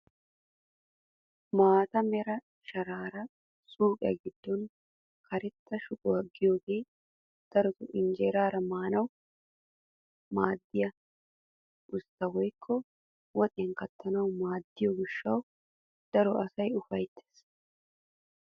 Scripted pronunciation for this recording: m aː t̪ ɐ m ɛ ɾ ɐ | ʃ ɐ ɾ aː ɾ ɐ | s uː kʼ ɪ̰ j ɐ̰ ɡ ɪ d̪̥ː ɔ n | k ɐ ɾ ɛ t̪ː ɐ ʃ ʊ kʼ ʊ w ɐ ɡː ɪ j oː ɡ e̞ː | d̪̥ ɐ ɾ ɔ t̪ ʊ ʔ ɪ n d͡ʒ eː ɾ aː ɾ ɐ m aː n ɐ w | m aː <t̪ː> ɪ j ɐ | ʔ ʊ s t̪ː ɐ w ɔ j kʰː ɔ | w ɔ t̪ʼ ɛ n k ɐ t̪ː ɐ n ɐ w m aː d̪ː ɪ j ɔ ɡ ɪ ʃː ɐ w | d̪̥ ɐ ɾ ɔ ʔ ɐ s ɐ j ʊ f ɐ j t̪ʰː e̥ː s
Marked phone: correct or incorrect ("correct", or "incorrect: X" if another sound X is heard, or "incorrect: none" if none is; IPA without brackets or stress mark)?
incorrect: d̪ː